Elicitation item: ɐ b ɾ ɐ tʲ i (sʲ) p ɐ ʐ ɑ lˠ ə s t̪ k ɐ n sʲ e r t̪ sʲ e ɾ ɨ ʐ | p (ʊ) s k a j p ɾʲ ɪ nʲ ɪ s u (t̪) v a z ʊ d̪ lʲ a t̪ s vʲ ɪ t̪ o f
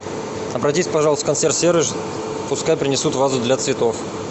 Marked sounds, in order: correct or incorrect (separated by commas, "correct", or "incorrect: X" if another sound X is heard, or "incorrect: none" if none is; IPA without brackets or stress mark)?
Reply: correct, correct, correct